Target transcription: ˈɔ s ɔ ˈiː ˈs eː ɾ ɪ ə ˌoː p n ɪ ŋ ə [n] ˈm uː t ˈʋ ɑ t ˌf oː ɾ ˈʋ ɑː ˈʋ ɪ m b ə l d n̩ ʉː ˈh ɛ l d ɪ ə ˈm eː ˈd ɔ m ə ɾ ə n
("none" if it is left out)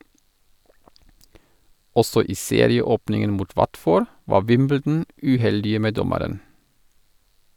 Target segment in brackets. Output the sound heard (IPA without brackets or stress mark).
n